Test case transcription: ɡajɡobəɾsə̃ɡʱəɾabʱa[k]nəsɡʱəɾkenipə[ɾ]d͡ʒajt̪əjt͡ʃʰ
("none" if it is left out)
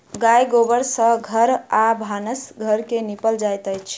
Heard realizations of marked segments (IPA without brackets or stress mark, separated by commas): none, l